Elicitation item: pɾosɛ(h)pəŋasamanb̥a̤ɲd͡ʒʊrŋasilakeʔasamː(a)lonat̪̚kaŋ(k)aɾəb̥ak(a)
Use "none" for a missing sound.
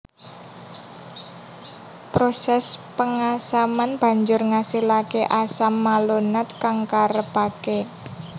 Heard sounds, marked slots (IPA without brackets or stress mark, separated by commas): s, a, k, e